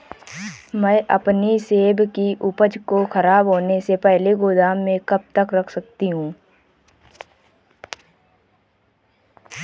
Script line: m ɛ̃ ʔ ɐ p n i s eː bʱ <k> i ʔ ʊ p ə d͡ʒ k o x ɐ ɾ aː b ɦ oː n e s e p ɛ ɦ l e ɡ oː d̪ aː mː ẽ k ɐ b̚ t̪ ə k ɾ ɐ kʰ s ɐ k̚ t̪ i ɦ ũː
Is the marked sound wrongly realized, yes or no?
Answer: no